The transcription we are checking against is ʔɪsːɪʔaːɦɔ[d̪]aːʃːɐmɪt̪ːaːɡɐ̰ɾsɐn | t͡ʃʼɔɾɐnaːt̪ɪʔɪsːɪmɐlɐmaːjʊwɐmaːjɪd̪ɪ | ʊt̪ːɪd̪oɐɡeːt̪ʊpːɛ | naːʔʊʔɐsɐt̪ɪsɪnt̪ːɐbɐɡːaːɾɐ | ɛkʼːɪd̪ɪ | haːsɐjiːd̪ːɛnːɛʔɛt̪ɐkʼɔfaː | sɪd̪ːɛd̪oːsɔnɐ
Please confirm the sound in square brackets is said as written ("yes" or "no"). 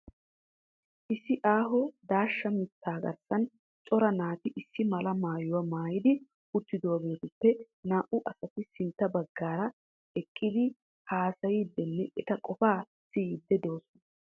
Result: yes